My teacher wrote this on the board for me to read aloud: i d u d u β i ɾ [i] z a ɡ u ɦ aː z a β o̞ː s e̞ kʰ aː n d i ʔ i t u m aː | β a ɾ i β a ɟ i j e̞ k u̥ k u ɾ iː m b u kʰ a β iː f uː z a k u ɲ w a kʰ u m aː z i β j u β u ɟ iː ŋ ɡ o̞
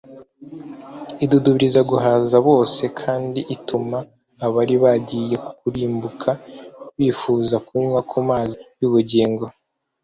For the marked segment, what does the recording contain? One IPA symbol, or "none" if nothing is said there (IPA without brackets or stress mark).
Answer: i